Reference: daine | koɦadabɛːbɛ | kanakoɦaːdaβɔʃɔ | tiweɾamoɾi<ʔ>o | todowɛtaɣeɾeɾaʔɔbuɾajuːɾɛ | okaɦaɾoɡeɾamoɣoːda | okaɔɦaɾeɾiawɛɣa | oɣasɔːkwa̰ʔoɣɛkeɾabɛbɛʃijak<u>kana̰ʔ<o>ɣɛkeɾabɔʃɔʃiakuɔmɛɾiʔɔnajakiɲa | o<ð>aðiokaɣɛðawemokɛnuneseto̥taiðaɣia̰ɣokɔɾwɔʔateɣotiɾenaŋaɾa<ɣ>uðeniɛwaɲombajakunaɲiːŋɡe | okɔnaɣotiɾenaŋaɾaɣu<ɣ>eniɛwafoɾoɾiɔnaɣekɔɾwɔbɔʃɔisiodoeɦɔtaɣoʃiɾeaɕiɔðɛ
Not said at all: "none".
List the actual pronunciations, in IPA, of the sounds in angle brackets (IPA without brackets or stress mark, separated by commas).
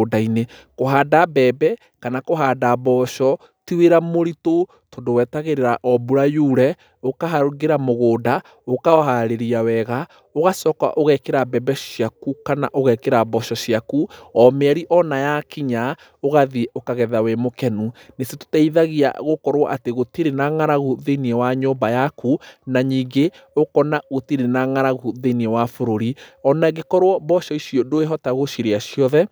t, u, o, ɣ, ɣ, ð